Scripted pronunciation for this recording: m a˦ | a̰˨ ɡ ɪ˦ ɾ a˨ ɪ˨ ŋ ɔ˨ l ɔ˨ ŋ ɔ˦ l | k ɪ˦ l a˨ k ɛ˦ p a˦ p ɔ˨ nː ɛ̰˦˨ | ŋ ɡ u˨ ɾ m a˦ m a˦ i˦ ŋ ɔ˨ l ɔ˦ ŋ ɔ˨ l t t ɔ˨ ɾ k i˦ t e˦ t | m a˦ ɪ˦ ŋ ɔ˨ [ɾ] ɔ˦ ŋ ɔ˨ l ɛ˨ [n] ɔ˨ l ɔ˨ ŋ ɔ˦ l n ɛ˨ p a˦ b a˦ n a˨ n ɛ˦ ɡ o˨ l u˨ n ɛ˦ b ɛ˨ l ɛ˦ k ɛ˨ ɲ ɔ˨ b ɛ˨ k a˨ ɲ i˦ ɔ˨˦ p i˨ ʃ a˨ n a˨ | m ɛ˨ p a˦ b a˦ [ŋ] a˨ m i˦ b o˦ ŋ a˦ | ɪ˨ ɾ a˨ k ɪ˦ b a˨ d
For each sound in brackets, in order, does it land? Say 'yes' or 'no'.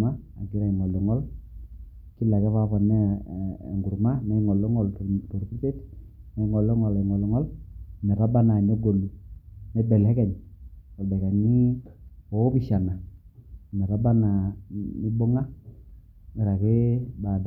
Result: no, no, no

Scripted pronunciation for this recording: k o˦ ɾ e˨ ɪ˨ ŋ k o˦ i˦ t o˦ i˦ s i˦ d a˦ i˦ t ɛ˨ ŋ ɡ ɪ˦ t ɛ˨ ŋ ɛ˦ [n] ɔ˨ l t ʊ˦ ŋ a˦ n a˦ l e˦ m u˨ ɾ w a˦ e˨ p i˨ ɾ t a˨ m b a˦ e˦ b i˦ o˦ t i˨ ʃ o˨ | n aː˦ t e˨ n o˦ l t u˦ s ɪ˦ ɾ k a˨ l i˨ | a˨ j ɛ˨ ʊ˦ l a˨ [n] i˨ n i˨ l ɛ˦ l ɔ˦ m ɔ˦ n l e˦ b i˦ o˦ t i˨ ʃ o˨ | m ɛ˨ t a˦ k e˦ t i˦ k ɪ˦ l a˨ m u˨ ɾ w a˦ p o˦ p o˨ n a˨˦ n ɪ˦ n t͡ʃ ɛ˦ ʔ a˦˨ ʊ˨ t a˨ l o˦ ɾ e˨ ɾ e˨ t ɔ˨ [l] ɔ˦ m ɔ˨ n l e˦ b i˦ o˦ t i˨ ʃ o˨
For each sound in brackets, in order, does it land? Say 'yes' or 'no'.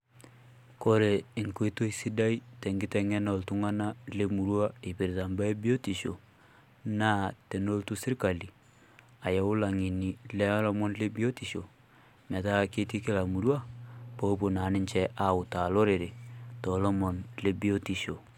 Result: yes, no, yes

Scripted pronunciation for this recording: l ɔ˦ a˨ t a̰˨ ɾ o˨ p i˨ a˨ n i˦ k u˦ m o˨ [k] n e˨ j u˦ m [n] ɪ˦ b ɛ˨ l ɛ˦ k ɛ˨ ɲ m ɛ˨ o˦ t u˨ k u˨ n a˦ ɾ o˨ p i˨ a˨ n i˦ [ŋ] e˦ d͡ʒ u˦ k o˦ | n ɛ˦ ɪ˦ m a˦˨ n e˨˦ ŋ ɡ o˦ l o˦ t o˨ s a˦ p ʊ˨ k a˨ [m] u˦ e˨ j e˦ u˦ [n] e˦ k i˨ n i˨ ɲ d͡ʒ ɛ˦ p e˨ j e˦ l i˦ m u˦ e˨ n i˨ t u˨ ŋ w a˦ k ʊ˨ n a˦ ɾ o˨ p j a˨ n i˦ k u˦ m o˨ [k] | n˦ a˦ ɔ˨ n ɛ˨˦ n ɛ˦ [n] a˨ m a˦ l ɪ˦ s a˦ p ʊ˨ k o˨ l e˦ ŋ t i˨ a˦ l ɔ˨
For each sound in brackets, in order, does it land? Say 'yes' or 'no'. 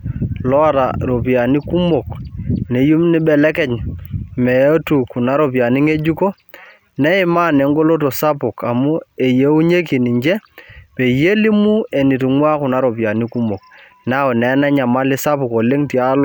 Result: yes, yes, yes, yes, no, yes, no

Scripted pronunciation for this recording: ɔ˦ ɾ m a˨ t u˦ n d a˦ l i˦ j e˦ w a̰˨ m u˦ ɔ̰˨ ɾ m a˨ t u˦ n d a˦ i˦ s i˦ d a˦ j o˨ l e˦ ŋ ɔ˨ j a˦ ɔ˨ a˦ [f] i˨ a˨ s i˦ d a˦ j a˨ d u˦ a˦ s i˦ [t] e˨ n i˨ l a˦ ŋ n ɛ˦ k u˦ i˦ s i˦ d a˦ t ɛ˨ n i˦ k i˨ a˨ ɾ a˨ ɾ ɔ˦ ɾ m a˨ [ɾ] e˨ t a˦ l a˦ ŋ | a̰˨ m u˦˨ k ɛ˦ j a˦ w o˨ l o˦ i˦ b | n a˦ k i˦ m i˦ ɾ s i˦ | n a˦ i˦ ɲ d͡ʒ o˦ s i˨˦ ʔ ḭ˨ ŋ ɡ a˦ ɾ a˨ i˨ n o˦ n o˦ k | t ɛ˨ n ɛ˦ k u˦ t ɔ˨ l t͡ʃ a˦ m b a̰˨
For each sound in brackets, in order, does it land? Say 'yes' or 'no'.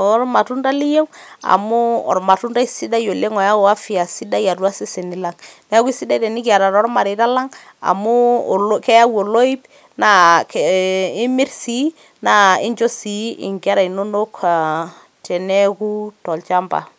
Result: yes, no, yes

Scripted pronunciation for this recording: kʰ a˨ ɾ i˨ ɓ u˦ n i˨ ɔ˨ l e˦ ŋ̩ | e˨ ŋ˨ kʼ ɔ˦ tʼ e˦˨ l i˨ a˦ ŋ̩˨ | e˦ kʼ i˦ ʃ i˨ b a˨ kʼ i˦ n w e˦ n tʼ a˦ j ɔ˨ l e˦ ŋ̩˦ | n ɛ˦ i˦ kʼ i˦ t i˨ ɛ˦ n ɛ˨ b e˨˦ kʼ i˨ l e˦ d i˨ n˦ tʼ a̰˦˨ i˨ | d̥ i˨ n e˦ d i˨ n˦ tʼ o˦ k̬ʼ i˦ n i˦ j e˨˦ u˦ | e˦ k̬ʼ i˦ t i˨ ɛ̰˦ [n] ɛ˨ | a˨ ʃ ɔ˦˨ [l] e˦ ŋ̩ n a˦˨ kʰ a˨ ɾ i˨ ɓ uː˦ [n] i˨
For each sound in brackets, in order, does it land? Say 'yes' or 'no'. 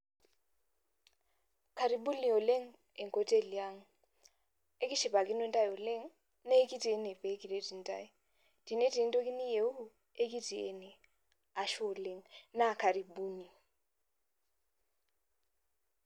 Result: yes, yes, yes

